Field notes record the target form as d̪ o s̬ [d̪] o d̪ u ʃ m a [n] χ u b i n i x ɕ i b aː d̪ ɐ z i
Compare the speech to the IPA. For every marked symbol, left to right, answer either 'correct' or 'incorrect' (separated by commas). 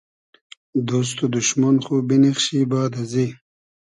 incorrect, correct